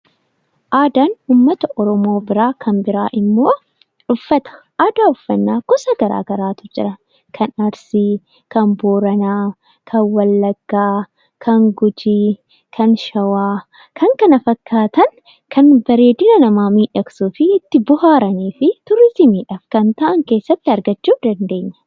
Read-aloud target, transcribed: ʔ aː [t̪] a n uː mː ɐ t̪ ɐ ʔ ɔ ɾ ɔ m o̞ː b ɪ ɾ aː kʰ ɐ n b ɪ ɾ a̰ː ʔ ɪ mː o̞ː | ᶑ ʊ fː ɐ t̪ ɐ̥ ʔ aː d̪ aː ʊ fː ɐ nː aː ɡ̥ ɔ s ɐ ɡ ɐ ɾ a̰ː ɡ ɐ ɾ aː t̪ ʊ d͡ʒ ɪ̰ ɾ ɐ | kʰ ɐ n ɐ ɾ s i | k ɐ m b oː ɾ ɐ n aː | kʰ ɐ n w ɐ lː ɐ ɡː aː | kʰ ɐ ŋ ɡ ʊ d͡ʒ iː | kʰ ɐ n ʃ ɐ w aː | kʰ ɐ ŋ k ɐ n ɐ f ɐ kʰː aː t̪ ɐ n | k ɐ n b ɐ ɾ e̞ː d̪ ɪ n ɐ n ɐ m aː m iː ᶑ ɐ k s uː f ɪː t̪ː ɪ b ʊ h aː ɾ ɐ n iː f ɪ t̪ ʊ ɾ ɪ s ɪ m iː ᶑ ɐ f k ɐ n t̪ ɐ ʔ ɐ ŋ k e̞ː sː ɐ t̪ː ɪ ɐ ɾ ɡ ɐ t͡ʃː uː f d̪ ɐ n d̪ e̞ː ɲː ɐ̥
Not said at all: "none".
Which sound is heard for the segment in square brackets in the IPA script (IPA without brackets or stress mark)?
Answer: d̪